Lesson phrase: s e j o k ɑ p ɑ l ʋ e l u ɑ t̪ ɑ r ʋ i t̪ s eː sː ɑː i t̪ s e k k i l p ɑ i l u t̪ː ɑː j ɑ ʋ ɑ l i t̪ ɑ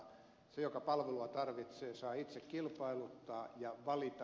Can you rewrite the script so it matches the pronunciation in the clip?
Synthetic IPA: s e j o k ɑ p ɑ l ʋ e l u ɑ t̪ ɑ r ʋ i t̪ s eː s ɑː i t̪ s e k k i l p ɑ i l u t̪ː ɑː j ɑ ʋ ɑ l i t̪ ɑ